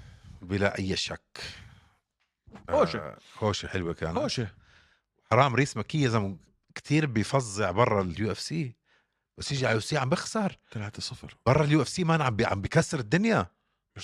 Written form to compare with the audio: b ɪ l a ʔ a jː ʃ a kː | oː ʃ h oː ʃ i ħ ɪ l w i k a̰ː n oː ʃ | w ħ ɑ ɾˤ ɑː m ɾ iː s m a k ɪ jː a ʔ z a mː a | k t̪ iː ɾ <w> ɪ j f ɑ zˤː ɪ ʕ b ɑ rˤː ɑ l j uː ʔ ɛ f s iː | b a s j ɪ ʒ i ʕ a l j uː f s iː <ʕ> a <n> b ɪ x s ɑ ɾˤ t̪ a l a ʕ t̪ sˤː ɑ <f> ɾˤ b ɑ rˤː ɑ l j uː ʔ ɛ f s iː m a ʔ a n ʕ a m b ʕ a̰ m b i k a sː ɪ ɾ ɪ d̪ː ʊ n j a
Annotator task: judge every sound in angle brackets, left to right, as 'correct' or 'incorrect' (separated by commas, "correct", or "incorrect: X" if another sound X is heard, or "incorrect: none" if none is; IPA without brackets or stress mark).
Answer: incorrect: b, correct, incorrect: m, correct